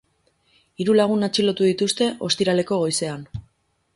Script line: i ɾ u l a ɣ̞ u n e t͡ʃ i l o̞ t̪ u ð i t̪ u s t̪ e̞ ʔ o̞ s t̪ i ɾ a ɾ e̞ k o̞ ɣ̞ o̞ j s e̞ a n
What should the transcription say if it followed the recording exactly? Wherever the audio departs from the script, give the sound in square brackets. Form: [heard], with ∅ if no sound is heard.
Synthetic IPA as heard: i ɾ u l a ɣ̞ u n [a] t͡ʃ i l o̞ t̪ u ð i t̪ u s t̪ e̞ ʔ o̞ s t̪ i ɾ a [l] e̞ k o̞ ɣ̞ o̞ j s e̞ a n